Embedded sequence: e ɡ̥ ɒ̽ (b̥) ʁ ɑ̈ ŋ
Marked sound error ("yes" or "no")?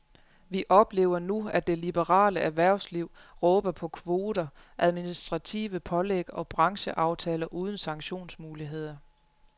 no